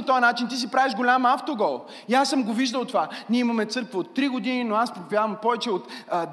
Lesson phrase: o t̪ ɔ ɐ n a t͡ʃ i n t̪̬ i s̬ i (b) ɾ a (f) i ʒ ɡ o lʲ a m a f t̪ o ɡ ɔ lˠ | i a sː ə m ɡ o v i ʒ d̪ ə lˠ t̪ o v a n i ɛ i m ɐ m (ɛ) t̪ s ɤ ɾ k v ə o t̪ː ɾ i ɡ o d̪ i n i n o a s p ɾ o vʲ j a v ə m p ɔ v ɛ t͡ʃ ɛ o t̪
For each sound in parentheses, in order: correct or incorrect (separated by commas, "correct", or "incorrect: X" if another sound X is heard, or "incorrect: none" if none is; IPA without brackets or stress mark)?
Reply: incorrect: p, incorrect: v, correct